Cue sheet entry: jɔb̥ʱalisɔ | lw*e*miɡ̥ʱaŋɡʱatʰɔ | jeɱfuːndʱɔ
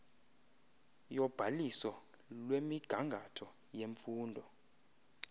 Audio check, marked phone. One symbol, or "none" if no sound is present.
e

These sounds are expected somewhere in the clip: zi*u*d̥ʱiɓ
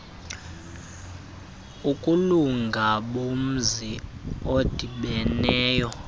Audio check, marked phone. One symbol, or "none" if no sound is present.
o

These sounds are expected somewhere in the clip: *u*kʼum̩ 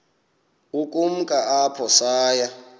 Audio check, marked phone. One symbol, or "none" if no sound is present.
u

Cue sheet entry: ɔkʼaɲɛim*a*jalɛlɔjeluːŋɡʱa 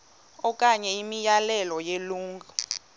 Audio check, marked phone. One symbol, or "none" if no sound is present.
i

